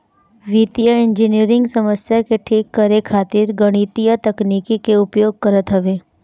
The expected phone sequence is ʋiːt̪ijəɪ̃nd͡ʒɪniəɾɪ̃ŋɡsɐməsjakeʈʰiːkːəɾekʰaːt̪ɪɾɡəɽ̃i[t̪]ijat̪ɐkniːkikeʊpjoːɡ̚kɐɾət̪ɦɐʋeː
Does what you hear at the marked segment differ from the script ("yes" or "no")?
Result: no